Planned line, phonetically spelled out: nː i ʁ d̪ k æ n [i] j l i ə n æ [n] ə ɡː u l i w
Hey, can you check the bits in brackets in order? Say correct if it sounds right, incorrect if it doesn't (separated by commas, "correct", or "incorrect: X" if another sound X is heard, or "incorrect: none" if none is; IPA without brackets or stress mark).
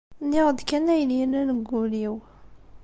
incorrect: æ, correct